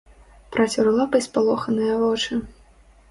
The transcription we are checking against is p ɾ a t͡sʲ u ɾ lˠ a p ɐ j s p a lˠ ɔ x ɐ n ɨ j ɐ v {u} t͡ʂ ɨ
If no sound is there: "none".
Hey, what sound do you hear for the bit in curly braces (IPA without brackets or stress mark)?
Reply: ɔ